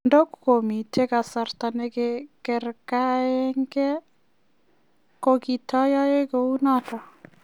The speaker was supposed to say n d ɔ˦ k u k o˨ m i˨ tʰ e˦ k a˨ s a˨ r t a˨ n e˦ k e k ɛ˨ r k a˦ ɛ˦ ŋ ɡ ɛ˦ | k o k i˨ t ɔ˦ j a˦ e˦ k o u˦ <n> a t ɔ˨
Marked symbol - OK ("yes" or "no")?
yes